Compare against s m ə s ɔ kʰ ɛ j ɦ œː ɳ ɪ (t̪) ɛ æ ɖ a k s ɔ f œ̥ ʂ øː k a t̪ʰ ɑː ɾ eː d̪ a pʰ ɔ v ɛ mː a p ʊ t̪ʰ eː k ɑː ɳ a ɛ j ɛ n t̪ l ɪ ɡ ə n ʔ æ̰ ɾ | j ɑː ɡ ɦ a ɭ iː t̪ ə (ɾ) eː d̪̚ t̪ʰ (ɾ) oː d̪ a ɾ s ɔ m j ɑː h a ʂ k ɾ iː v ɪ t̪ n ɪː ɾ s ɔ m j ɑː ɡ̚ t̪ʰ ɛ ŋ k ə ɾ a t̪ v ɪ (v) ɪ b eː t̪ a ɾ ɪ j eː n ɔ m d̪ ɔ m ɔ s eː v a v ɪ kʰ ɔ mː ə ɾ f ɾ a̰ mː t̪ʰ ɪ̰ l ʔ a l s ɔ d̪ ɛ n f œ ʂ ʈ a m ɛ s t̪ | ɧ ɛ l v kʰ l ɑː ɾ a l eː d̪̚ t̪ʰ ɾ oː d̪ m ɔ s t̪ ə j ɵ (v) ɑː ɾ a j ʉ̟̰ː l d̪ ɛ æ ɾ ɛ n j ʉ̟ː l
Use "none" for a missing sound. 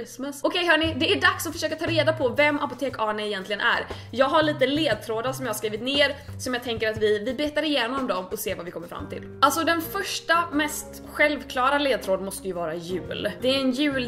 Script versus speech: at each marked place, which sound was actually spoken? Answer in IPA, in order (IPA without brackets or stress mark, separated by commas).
d̪, l, ɾ, v, v